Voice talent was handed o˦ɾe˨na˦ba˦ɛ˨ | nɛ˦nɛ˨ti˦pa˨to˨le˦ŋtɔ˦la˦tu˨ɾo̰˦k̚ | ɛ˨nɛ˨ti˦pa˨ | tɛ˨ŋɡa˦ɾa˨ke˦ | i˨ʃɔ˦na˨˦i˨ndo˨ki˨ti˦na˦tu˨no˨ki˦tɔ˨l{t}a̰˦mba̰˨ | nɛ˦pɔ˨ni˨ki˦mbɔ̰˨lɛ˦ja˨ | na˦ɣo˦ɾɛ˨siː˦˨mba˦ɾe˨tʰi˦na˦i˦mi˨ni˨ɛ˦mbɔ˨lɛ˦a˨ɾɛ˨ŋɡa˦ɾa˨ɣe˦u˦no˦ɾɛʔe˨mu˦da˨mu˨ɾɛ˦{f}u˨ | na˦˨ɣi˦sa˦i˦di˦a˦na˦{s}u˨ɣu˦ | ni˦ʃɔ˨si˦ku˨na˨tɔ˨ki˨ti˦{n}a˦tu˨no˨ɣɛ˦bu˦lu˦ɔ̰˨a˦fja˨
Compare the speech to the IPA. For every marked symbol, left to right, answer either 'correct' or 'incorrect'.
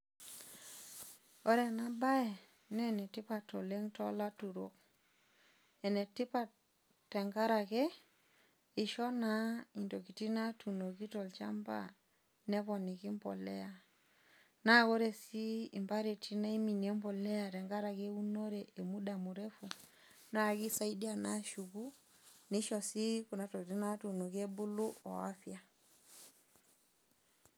incorrect, correct, incorrect, correct

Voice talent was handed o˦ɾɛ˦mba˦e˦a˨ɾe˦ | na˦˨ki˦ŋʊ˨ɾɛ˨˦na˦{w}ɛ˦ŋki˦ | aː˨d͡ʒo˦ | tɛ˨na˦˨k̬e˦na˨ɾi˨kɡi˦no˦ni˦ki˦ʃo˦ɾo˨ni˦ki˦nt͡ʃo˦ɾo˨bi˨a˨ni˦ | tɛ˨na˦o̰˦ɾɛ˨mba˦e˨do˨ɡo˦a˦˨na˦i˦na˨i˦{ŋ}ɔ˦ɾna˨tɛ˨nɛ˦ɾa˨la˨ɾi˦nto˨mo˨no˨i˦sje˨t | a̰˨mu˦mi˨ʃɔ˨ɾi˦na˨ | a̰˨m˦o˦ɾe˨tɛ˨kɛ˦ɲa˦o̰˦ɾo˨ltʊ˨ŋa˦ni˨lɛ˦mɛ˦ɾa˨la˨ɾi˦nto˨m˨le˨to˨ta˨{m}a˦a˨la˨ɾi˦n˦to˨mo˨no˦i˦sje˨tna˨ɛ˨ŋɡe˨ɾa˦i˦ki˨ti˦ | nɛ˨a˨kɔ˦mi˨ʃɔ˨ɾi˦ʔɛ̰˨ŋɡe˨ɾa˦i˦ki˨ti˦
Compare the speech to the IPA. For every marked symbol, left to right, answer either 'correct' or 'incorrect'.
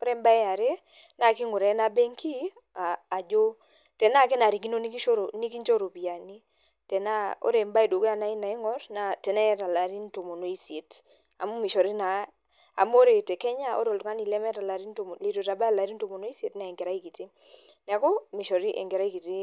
incorrect, correct, incorrect

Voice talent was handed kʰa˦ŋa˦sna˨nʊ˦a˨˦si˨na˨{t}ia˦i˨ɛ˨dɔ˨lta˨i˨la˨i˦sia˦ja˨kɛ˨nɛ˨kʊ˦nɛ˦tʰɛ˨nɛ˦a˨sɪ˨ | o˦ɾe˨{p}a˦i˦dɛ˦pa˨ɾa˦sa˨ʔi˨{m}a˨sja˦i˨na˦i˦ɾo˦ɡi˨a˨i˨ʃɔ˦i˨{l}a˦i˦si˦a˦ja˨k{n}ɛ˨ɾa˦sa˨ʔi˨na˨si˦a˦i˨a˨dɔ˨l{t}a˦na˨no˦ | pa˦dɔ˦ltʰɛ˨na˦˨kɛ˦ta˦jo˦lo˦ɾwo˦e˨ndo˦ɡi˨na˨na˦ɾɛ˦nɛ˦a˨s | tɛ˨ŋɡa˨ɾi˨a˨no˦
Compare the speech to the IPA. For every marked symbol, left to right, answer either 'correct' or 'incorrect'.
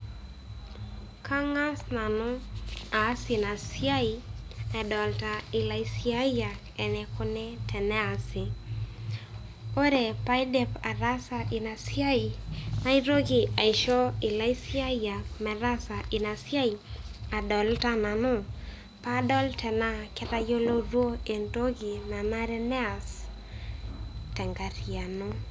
incorrect, correct, incorrect, correct, incorrect, correct

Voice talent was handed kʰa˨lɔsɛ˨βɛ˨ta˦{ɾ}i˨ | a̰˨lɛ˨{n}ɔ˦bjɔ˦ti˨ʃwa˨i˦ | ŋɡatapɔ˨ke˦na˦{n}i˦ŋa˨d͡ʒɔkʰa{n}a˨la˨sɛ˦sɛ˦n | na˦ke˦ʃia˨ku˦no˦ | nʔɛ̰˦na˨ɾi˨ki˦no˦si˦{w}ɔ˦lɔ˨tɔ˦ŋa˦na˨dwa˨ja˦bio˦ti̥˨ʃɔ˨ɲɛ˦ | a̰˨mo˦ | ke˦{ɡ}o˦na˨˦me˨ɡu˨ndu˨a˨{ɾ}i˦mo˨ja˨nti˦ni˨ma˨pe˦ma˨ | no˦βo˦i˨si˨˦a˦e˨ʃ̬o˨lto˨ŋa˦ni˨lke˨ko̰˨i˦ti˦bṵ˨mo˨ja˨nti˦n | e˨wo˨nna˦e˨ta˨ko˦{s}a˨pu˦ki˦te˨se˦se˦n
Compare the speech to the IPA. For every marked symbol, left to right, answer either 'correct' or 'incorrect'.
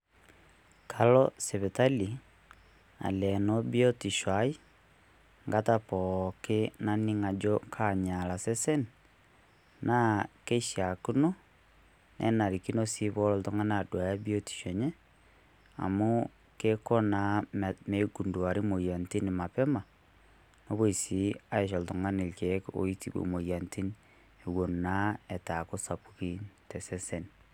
incorrect, correct, correct, incorrect, incorrect, incorrect, correct, correct

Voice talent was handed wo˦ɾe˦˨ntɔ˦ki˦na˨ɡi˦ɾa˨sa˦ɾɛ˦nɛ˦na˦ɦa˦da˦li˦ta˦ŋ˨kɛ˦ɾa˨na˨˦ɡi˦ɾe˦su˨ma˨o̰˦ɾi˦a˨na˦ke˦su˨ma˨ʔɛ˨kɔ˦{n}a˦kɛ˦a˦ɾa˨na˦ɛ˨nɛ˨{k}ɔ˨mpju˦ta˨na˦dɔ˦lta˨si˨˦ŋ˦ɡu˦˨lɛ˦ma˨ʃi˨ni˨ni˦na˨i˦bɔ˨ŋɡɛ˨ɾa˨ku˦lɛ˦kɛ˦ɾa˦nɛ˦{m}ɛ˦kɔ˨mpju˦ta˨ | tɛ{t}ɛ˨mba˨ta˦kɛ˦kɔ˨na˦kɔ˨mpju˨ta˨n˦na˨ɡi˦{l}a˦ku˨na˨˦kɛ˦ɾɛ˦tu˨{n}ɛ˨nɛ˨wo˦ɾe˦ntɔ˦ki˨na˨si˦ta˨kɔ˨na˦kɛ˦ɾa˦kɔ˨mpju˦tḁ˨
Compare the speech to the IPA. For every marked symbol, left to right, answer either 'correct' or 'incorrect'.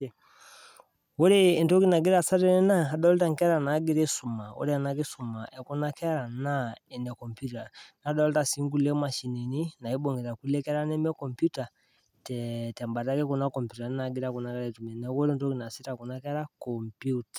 correct, correct, correct, correct, incorrect, incorrect

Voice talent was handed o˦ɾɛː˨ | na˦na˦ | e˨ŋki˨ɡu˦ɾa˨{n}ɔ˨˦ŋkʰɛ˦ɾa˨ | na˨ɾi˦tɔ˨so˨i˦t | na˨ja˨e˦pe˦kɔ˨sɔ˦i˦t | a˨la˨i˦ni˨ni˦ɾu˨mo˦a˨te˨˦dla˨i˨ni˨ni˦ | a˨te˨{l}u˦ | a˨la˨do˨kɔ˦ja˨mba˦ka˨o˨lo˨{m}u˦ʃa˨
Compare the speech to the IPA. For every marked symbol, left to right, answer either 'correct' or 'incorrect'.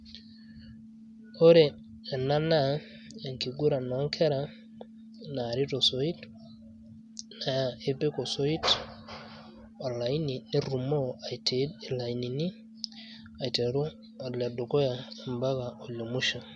correct, incorrect, correct

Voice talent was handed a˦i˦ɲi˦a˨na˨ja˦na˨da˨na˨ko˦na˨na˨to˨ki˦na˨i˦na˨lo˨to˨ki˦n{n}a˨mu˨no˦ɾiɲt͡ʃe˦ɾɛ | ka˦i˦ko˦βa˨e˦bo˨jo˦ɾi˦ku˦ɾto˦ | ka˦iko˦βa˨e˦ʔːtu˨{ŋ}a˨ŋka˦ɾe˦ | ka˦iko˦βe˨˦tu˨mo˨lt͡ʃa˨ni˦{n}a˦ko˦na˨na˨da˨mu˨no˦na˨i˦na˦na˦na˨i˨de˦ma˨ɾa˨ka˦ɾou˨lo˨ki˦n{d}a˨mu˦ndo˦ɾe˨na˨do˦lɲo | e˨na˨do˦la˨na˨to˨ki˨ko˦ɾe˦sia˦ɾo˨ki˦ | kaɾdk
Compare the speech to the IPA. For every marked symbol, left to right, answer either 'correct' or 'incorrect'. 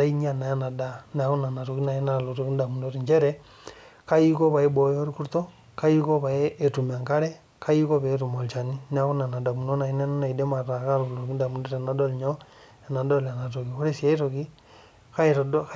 incorrect, incorrect, correct, correct

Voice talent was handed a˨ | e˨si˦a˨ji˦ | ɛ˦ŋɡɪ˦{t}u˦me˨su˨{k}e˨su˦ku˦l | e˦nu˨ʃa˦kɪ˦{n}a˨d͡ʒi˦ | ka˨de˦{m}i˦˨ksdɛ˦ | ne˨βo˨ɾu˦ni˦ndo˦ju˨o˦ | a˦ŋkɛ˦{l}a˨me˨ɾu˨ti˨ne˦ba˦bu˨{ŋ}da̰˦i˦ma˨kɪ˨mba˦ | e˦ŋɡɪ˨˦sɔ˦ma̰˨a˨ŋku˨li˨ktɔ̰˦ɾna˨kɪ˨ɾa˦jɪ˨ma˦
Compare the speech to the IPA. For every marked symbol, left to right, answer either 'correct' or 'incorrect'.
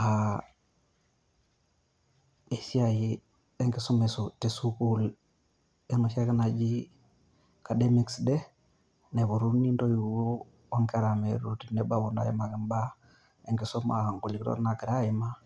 incorrect, incorrect, correct, correct, incorrect, incorrect

